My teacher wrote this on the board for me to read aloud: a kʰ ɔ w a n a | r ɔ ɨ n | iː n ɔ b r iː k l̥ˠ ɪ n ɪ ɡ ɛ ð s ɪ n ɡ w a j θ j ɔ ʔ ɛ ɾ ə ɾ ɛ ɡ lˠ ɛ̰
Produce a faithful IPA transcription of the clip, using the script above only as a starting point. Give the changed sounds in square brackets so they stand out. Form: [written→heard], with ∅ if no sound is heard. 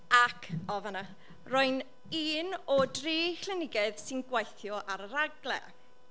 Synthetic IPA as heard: a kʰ ɔ [w→v] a n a | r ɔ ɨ n | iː n ɔ [b→d] r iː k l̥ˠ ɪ n ɪ ɡ ɛ ð s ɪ n ɡ w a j θ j ɔ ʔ [ɛ→a] ɾ ə ɾ [ɛ→a] ɡ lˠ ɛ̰

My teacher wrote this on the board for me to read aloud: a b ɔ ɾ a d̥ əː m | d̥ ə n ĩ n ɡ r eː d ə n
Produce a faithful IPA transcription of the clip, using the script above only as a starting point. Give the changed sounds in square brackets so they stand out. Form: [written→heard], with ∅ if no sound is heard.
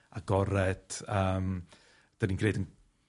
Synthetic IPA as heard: a [b→ɡ] ɔ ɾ [a→ɛ] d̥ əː m | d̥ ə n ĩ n [ɡ→k] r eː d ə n

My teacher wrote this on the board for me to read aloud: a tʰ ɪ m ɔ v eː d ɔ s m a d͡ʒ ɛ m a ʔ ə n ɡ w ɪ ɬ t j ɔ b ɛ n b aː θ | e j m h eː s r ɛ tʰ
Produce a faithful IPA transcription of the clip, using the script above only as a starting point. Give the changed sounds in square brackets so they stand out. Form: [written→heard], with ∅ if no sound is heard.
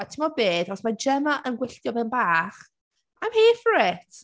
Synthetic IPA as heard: a tʰ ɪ m ɔ [v→b] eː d ɔ s m a d͡ʒ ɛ m a ʔ ə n ɡ w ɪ ɬ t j ɔ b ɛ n b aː [θ→χ] | [e→a] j m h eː [s→f] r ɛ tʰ

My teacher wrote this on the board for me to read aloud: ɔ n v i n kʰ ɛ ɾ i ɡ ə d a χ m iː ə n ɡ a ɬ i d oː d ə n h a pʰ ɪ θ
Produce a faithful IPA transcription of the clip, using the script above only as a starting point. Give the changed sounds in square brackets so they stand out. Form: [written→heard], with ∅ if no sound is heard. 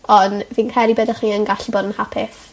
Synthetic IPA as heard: ɔ n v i n kʰ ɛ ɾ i [ɡ→b] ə d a χ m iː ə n ɡ a ɬ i [d→b] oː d ə n h a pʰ ɪ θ

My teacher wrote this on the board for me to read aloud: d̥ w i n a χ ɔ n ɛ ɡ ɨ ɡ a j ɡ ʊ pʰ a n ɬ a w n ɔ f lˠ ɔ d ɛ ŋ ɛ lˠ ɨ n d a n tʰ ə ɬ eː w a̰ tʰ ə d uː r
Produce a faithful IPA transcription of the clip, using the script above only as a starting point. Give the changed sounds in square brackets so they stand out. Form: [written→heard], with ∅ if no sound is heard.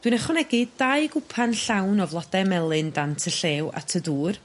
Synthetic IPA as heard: d̥ w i n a χ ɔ n ɛ ɡ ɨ [ɡ→d] a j ɡ ʊ pʰ a n ɬ a w n ɔ [f→v] lˠ ɔ d ɛ [ŋ→m] ɛ lˠ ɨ n d a n tʰ ə ɬ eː w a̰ tʰ ə d uː r

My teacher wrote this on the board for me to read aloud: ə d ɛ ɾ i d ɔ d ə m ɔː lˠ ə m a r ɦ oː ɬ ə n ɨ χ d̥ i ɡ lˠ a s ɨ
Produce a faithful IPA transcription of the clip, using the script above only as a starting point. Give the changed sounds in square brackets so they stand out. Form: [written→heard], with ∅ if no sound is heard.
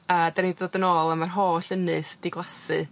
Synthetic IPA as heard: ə d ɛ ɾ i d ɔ d ə [m→n] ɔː lˠ ə m a r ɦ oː ɬ ə n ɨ [χ→s] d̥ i ɡ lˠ a s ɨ

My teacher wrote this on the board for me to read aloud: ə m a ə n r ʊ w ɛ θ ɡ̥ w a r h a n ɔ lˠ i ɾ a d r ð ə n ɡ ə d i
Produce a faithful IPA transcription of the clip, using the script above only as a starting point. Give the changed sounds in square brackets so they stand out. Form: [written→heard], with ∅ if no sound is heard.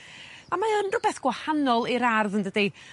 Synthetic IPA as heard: [ə→a] m a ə n r ʊ [w→b] ɛ θ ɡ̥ w a [r→∅] h a n ɔ lˠ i ɾ a [d→∅] r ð ə n [ɡ→d] ə d i

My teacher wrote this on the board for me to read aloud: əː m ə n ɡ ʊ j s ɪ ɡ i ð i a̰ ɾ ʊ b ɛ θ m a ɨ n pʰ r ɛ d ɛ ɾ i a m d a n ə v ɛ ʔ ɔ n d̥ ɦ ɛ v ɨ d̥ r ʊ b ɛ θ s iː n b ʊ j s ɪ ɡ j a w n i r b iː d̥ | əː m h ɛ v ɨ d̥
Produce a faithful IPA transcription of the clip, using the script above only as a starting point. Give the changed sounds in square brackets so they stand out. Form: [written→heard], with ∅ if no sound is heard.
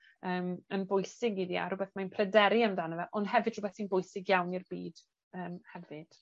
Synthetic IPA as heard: əː m ə n [ɡ→b] ʊ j s ɪ ɡ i ð i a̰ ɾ ʊ b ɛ θ m a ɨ n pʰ r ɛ d ɛ ɾ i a m d a n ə v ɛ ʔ ɔ n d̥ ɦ ɛ v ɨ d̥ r ʊ b ɛ θ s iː n b ʊ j s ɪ ɡ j a w n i r b iː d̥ | əː m h ɛ v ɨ d̥

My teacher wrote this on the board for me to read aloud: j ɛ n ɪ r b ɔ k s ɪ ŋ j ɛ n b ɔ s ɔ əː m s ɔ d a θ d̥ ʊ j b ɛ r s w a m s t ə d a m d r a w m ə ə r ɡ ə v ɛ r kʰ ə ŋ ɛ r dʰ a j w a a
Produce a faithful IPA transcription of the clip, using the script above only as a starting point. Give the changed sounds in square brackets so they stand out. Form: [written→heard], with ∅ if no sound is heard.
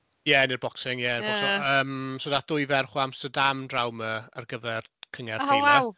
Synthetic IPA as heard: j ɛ n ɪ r b ɔ k s ɪ ŋ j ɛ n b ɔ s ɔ əː m s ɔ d a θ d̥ ʊ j [b→v] ɛ r [s→χ] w a m s t ə d a m d r a w m ə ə r ɡ ə v ɛ r kʰ ə ŋ ɛ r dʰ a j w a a

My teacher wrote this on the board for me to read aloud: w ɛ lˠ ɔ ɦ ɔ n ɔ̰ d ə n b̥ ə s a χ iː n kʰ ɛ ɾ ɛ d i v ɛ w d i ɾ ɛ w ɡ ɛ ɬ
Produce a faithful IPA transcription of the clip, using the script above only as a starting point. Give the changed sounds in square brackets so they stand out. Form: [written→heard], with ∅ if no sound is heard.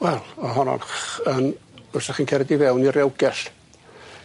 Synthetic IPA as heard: w ɛ lˠ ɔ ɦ ɔ n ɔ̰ [d→n] ə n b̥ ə s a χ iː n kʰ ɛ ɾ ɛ d i v ɛ w [d→n] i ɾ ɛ w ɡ ɛ ɬ

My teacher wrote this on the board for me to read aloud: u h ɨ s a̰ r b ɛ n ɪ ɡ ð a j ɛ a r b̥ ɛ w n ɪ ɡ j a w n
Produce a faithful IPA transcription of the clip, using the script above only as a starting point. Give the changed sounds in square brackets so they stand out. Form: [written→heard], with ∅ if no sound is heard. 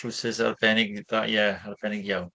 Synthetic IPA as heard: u [h→s] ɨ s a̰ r b ɛ n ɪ ɡ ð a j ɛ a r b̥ ɛ [w→∅] n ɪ ɡ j a w n

